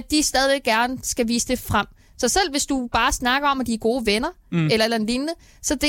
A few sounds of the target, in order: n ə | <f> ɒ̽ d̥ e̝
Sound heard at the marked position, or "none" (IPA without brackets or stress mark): s